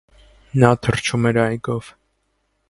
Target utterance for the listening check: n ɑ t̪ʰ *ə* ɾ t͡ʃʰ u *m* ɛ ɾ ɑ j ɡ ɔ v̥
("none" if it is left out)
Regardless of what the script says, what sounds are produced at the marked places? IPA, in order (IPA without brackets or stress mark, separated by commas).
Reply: ə, m